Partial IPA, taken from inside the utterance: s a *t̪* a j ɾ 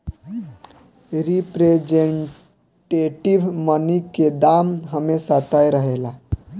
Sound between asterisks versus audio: correct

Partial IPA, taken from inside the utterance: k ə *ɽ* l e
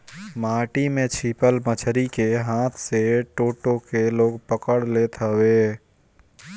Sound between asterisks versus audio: correct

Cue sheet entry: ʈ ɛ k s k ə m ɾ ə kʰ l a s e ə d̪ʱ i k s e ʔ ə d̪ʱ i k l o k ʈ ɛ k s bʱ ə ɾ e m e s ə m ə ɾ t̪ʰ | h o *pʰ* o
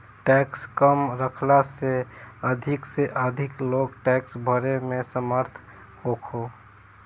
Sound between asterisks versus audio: incorrect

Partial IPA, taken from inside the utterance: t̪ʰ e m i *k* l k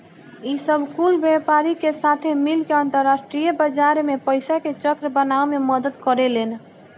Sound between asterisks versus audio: incorrect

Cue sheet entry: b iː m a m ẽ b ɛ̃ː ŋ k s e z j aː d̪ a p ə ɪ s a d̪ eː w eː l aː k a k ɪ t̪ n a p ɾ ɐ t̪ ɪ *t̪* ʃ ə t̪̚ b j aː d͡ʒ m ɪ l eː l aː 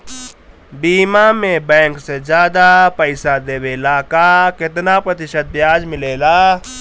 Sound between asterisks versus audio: incorrect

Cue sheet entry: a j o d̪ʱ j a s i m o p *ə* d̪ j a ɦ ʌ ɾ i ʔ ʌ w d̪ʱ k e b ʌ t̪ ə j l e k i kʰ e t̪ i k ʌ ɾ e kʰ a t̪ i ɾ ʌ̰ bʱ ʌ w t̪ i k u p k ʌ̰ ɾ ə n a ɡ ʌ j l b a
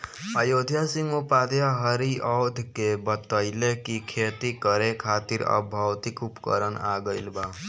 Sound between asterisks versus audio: incorrect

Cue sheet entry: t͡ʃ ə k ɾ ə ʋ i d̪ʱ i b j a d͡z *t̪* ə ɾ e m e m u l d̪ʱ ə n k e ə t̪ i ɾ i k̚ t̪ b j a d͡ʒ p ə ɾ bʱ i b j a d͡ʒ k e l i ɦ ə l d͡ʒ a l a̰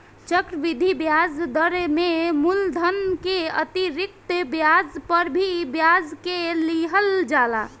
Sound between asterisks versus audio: incorrect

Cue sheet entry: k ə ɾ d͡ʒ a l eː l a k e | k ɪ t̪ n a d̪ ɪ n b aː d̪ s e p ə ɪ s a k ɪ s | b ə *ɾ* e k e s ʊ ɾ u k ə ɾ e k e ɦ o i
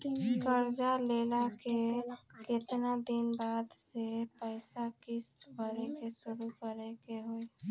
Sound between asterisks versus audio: correct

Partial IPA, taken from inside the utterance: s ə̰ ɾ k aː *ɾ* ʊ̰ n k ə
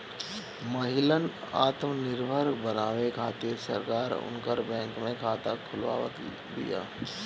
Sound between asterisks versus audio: correct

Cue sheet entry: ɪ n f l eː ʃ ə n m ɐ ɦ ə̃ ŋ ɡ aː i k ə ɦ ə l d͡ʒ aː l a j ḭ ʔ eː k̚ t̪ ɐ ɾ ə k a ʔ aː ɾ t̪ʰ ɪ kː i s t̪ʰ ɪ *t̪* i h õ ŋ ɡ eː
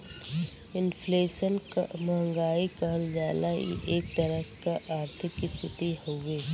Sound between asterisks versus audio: correct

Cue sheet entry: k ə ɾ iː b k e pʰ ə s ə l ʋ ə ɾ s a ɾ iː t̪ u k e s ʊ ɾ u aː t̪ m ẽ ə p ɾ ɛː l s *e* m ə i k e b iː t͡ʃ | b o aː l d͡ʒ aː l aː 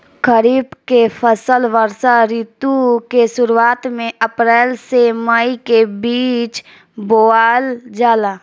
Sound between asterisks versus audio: correct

